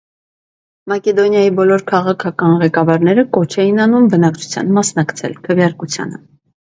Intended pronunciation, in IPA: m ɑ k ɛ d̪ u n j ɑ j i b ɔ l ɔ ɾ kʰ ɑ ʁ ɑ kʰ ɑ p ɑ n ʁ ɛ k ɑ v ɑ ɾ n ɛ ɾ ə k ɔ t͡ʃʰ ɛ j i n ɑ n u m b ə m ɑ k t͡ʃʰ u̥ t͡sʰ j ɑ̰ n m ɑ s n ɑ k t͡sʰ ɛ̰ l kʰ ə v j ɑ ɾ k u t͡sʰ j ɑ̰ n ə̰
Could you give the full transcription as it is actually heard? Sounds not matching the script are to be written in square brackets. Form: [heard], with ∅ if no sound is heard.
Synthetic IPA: m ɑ k ɛ d̪ [ɔ] n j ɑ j i b ɔ l ɔ ɾ kʰ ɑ ʁ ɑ kʰ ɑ [k] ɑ n ʁ ɛ k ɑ v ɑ ɾ n ɛ ɾ ə k ɔ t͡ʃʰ ɛ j i n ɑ n u m b ə [n] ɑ k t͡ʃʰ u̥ t͡sʰ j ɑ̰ n m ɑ s n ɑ k t͡sʰ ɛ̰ l kʰ ə v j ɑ ɾ k u t͡sʰ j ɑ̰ n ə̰

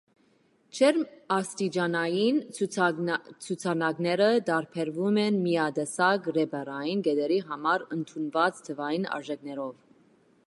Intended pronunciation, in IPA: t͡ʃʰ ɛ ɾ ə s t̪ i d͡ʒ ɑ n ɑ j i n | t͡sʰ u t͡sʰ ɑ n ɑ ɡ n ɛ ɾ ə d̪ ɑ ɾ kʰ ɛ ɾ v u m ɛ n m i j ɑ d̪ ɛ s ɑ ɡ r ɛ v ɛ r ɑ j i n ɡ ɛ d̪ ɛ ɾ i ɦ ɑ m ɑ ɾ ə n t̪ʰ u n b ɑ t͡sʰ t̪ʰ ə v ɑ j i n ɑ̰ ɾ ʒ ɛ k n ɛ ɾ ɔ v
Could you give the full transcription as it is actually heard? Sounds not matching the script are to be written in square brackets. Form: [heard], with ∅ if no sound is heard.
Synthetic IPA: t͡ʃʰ ɛ ɾ [ɑ] s t̪ i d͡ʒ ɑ n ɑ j i n | t͡sʰ u t͡sʰ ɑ n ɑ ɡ n ɛ ɾ ə d̪ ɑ ɾ [pʰ] ɛ ɾ v u m ɛ n m i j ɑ d̪ ɛ s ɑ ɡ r ɛ [b] ɛ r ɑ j i n ɡ ɛ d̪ ɛ ɾ i ɦ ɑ m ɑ ɾ ə n t̪ʰ u n [v] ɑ [t͡s] t̪ʰ ə v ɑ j i n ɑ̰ ɾ ʒ ɛ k n ɛ ɾ ɔ v

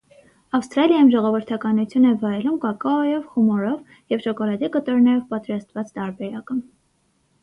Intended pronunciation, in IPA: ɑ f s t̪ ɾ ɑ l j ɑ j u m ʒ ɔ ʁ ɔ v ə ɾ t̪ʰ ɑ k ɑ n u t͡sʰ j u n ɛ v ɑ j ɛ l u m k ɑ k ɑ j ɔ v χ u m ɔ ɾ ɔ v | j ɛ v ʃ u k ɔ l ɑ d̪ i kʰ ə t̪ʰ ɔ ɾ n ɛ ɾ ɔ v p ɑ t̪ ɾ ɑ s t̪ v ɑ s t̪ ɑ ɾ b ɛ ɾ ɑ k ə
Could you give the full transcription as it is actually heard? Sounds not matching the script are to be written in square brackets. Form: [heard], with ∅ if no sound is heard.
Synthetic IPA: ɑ f s t̪ ɾ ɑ l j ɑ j u m ʒ ɔ ʁ ɔ v ə ɾ t̪ʰ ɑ k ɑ n u t͡sʰ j u n ɛ v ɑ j ɛ l u m k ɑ k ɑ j ɔ v χ u m ɔ ɾ ɔ v | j ɛ v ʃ [ɔ] k ɔ l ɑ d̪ i [k] ə [t̪] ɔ ɾ n ɛ ɾ ɔ v p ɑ t̪ ɾ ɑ s t̪ v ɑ [t͡s] t̪ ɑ ɾ b ɛ ɾ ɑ k ə

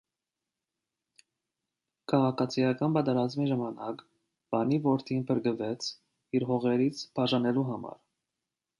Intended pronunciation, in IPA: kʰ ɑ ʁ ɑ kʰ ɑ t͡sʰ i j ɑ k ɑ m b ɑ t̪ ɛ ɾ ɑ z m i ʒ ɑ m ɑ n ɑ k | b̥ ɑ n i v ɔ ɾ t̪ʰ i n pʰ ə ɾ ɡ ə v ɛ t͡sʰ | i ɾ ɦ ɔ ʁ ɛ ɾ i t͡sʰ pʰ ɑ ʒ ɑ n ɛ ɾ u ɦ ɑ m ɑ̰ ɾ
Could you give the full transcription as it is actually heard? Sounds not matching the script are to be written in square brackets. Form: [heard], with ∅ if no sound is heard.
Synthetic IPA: kʰ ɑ ʁ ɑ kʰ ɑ t͡sʰ i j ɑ k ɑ [n] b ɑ t̪ ɛ ɾ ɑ z m i ʒ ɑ m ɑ n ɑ k | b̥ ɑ n i v ɔ ɾ t̪ʰ i n pʰ ə ɾ ɡ ə v ɛ t͡sʰ | i ɾ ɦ ɔ ʁ ɛ ɾ i t͡sʰ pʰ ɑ ʒ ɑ n ɛ [l] u ɦ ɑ m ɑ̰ ɾ

